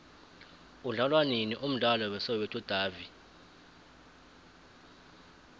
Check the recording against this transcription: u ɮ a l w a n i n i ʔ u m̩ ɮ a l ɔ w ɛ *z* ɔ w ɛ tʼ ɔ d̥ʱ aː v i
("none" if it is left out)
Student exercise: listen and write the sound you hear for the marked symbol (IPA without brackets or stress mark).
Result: s